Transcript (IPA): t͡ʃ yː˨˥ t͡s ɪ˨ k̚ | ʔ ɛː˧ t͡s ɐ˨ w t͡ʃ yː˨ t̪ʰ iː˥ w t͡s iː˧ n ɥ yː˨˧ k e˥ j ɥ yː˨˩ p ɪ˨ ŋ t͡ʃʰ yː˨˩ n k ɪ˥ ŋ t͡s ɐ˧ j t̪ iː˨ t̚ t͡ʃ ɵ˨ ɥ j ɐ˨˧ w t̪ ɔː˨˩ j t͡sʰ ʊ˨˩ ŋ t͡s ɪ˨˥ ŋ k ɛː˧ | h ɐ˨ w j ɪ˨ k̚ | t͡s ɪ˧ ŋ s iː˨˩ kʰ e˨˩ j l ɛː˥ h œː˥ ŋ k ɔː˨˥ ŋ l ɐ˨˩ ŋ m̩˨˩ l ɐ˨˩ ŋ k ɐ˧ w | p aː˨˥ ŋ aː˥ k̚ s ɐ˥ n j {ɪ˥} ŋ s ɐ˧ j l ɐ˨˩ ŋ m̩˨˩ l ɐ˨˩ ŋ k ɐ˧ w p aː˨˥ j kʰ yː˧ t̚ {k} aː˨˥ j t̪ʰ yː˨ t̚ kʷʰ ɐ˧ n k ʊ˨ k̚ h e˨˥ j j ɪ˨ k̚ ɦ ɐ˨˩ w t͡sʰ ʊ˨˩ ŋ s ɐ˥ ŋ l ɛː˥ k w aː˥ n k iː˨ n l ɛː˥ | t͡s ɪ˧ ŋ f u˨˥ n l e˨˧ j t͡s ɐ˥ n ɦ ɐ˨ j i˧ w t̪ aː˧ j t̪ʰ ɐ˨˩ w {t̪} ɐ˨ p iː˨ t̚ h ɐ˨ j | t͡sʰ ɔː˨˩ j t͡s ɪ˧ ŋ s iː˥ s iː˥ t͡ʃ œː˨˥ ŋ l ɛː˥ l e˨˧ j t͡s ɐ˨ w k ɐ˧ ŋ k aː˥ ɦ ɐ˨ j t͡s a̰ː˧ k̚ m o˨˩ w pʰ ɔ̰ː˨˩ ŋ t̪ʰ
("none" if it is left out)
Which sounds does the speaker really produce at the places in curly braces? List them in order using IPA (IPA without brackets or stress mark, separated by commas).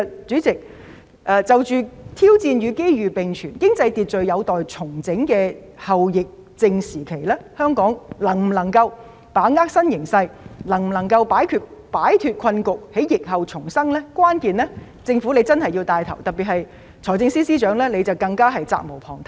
ɪ˨˩, p, t̪